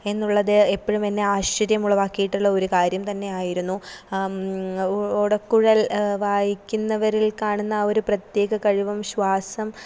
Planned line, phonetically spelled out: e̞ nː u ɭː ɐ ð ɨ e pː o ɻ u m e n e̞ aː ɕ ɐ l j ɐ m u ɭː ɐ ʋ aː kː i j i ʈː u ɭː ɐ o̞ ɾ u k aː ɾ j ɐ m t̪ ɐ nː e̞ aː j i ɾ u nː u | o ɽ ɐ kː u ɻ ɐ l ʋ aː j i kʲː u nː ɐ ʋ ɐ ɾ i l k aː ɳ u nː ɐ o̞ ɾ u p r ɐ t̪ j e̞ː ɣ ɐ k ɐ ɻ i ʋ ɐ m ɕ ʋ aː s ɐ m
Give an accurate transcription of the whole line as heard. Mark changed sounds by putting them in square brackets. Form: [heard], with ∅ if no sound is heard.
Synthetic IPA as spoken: e̞ nː u ɭː ɐ ð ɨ e pː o ɻ u m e [nː] e̞ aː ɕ ɐ [ɾ] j ɐ m u ɭː ɐ ʋ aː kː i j i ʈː u ɭː ɐ o̞ ɾ u k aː ɾ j ɐ m t̪ ɐ nː e̞ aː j i ɾ u nː u | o ɽ ɐ kː u ɻ ɐ l ʋ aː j i kʲː u nː ɐ ʋ ɐ ɾ i l k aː ɳ u nː ɐ o̞ ɾ u p r ɐ t̪ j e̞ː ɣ ɐ k ɐ ɻ i ʋ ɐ m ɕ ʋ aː s ɐ m

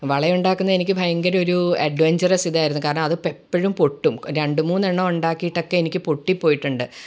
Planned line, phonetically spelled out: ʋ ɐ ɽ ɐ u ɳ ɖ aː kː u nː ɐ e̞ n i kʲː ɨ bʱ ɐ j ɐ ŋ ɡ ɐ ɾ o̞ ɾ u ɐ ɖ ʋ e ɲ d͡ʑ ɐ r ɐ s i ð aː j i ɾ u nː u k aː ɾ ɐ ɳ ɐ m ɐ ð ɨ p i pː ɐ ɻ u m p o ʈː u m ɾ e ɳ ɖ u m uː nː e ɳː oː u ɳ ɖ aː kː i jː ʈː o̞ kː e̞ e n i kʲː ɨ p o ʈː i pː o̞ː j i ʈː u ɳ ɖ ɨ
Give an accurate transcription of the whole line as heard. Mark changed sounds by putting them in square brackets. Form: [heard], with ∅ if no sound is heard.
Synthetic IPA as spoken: ʋ ɐ [ɭ] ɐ u ɳ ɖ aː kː u nː ɐ e̞ n i kʲː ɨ bʱ ɐ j ɐ ŋ ɡ ɐ ɾ o̞ ɾ u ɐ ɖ ʋ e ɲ d͡ʑ ɐ r ɐ s i ð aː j i ɾ u nː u k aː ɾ ɐ ɳ ɐ m ɐ ð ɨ p [e] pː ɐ ɻ u m p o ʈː u m ɾ e ɳ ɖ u m uː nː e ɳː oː u ɳ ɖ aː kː i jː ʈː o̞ kː e̞ e n i kʲː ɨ p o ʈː i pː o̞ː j i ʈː u ɳ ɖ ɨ

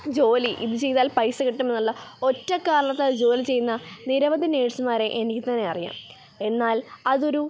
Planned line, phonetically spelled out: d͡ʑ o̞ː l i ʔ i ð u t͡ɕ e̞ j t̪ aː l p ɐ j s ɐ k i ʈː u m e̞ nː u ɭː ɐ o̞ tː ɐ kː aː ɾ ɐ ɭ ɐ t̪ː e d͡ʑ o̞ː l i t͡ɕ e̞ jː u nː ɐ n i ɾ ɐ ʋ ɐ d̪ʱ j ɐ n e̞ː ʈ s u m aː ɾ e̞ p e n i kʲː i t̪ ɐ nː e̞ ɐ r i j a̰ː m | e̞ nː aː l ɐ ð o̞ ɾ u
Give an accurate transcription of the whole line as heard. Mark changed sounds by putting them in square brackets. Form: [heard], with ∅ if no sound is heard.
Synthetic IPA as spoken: d͡ʑ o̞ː l i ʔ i ð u t͡ɕ e̞ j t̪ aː l p ɐ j s ɐ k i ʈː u m e̞ nː u ɭː ɐ o̞ tː ɐ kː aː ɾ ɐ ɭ ɐ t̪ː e d͡ʑ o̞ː l i t͡ɕ e̞ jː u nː ɐ n i ɾ ɐ ʋ ɐ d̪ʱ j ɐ n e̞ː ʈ s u m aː ɾ e̞ [ʔ] e n i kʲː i t̪ ɐ nː e̞ ɐ r i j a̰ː m | e̞ nː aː l ɐ ð o̞ ɾ u

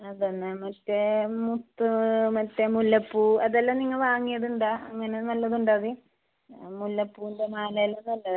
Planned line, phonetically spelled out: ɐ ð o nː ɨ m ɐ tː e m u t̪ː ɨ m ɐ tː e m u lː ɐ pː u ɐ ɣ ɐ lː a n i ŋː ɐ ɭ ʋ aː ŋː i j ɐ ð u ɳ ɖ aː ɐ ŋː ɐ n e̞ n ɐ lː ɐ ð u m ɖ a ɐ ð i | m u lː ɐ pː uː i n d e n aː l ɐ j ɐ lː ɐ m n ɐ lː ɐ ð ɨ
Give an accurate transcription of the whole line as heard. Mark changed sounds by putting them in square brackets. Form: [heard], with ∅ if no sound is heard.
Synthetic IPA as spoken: ɐ ð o nː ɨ m ɐ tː e m u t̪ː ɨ m ɐ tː e m u lː ɐ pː u ɐ [ð] ɐ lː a n i ŋː ɐ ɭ ʋ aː ŋː i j ɐ ð u ɳ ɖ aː ɐ ŋː ɐ n e̞ n ɐ lː ɐ ð u [ɳ] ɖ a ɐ ð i | m u lː ɐ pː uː i n d e [m] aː l ɐ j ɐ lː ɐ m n ɐ lː ɐ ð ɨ

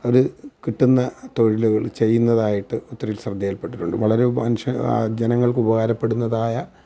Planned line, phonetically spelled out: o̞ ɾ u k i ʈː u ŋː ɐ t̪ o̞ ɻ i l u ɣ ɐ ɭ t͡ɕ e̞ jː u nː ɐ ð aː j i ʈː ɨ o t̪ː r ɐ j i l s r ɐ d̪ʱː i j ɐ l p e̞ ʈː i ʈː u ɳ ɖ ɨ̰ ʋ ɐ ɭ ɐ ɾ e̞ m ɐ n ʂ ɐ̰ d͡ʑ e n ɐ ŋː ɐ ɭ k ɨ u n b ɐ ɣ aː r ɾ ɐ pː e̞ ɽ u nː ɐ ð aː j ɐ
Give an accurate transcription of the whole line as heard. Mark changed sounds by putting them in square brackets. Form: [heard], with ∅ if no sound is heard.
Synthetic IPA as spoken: o̞ ɾ u k i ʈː u [nː] ɐ t̪ o̞ ɻ i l u ɣ ɐ ɭ t͡ɕ e̞ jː u nː ɐ ð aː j i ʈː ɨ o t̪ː r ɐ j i l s r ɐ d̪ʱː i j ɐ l p e̞ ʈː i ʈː u ɳ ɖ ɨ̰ ʋ ɐ ɭ ɐ ɾ e̞ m ɐ n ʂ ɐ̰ d͡ʑ e n ɐ ŋː ɐ ɭ k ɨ u [∅] b ɐ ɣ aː [∅] ɾ ɐ pː e̞ ɽ u nː ɐ ð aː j ɐ

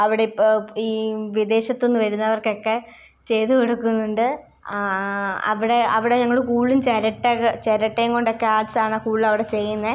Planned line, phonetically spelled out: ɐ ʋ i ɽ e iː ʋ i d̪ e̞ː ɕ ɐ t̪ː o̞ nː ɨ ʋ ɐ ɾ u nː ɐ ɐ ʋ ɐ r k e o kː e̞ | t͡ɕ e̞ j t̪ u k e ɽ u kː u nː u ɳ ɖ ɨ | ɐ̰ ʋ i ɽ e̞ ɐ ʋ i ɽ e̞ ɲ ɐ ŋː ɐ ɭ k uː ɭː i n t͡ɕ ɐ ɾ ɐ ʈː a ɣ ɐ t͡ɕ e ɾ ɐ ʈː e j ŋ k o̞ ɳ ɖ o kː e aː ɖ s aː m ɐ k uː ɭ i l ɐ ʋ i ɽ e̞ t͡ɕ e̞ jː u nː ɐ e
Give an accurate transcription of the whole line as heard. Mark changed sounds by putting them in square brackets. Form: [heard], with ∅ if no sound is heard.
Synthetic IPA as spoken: ɐ ʋ i ɽ e iː ʋ i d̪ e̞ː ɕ ɐ t̪ː o̞ nː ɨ ʋ ɐ ɾ u nː ɐ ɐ ʋ ɐ r k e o kː e̞ | t͡ɕ e̞ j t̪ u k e ɽ u kː u nː u ɳ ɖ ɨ | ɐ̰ ʋ i ɽ e̞ ɐ ʋ i ɽ e̞ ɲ ɐ ŋː ɐ ɭ k uː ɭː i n t͡ɕ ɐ ɾ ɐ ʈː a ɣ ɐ t͡ɕ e ɾ ɐ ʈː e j ŋ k o̞ ɳ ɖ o kː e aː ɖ s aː [ɳ] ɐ k uː ɭ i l ɐ ʋ i ɽ e̞ t͡ɕ e̞ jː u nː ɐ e

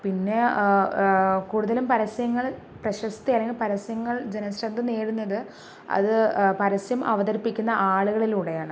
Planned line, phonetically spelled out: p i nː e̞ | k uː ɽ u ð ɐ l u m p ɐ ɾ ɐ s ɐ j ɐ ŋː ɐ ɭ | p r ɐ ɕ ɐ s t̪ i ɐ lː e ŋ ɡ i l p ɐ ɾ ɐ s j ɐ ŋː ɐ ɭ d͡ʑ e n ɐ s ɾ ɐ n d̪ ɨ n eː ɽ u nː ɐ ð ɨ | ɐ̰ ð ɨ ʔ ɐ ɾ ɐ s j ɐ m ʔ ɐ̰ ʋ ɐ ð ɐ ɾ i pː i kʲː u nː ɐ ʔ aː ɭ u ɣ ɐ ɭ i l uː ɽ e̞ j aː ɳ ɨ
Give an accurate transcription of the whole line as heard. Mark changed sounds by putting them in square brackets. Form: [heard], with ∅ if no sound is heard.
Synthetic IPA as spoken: p i nː e̞ | k uː ɽ u ð ɐ l u m p ɐ ɾ ɐ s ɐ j ɐ ŋː ɐ ɭ | p r ɐ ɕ ɐ s t̪ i ɐ lː e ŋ ɡ i l p ɐ ɾ ɐ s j ɐ ŋː ɐ ɭ d͡ʑ e n ɐ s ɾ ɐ n d̪ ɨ n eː ɽ u nː ɐ ð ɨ | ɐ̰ ð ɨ [p] ɐ ɾ ɐ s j ɐ m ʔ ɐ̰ ʋ ɐ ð ɐ ɾ i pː i kʲː u nː ɐ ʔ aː ɭ u ɣ ɐ ɭ i l uː ɽ e̞ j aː ɳ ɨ

